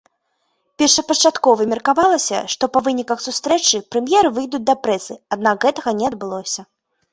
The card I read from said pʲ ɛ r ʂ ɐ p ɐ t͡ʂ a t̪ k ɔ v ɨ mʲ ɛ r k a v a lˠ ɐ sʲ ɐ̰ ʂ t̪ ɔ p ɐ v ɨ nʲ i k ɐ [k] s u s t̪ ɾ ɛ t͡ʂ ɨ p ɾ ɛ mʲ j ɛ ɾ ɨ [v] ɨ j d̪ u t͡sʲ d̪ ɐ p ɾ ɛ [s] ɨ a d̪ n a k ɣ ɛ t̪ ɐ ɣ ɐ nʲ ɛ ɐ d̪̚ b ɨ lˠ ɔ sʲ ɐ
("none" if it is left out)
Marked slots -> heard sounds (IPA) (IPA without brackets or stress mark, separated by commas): x, v, s